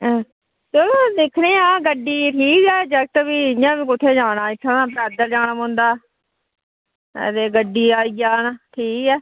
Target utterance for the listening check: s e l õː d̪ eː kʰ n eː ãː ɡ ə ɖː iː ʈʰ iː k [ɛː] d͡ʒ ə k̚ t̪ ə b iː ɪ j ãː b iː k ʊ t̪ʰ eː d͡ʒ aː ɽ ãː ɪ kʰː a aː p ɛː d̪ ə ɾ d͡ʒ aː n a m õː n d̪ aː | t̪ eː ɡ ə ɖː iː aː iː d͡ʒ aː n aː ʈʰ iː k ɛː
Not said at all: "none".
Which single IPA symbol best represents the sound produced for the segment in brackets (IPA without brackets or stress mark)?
ɛː